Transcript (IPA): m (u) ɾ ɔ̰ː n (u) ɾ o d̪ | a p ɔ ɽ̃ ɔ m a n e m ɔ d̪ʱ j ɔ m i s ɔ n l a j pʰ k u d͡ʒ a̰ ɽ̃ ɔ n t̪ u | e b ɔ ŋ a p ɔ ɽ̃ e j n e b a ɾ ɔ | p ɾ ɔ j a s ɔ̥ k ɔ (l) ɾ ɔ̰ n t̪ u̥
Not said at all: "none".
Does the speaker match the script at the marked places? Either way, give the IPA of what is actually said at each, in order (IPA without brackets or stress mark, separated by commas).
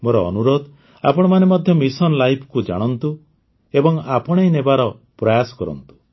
o, u, none